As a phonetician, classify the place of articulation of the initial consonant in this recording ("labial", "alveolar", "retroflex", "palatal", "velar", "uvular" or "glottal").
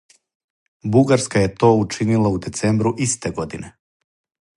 labial